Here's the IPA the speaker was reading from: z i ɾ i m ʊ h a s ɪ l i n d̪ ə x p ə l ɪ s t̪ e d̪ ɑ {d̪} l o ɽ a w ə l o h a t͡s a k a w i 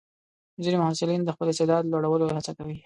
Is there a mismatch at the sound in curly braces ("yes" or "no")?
no